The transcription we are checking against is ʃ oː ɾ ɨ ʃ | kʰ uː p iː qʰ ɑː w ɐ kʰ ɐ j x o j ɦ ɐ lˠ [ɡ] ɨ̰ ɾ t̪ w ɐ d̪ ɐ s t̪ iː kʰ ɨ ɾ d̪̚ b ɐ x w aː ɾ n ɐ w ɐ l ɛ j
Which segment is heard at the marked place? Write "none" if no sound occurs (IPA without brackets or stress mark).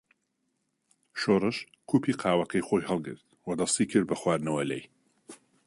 ɡ